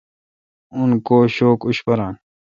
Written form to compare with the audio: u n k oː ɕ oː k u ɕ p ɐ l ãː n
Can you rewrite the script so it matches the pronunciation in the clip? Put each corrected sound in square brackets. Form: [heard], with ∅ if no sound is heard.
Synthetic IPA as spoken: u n k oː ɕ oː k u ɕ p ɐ [ɾ] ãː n